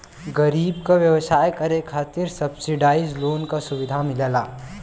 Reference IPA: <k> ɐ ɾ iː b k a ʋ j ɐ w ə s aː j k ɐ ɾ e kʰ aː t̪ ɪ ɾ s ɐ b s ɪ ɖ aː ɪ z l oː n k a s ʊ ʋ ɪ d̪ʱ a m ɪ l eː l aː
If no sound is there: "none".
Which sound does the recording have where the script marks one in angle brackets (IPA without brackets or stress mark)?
ɡ